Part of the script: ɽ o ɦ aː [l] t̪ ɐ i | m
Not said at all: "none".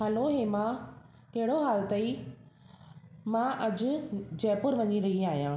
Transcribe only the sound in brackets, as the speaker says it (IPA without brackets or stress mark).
l